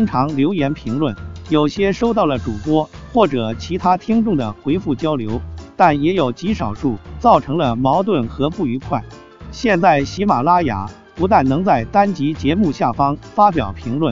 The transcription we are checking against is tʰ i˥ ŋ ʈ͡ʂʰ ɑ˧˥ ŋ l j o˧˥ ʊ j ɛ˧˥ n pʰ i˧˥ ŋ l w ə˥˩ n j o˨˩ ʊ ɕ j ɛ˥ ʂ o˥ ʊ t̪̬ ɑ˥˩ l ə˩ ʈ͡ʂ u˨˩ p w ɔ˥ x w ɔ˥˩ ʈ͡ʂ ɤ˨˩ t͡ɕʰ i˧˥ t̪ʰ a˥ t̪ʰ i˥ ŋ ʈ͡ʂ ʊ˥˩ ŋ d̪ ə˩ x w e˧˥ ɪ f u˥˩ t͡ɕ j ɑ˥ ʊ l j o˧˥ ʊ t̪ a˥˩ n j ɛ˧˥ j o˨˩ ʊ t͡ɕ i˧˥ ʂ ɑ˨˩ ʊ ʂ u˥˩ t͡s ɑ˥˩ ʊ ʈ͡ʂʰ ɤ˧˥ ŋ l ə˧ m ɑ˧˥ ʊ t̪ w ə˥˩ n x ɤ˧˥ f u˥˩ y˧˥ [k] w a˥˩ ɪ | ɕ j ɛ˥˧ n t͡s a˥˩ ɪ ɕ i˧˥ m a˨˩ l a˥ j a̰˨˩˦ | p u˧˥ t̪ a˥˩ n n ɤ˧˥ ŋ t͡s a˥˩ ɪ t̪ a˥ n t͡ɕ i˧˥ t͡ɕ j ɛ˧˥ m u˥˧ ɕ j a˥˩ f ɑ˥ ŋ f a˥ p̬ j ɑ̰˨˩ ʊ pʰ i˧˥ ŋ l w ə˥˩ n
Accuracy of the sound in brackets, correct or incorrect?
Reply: incorrect